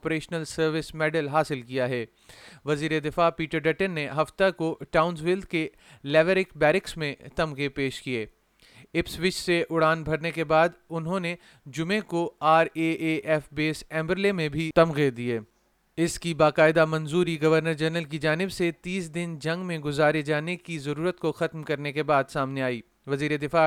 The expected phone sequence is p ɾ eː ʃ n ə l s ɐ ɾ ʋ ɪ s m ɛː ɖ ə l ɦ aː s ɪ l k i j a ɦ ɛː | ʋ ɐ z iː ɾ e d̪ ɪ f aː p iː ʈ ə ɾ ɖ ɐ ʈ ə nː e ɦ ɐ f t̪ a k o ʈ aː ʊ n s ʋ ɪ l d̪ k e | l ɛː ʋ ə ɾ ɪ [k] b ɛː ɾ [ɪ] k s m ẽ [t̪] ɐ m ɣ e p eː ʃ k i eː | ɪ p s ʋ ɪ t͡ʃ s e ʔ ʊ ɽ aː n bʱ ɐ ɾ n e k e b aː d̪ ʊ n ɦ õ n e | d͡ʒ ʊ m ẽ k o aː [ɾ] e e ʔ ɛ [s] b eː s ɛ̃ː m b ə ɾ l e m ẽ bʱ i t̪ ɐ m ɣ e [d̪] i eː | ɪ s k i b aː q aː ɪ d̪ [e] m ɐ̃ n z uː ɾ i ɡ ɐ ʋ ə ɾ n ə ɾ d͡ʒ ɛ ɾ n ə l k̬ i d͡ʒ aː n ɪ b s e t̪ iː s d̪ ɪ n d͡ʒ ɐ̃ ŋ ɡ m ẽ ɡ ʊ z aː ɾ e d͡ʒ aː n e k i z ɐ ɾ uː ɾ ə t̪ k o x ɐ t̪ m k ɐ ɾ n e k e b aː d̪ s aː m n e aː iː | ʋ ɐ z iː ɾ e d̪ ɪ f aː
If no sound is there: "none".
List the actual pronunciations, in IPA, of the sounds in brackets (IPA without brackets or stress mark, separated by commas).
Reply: k, ɪ, t̪, ɾ, f, d̪, a